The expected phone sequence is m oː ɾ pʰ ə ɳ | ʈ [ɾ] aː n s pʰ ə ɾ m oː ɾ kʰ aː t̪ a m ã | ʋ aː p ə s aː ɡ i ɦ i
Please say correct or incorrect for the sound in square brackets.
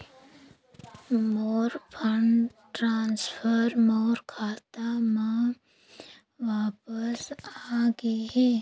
correct